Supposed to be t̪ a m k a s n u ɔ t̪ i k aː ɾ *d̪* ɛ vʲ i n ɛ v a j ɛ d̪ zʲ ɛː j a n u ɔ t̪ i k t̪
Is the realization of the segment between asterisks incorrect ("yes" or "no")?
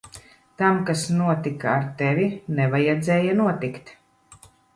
yes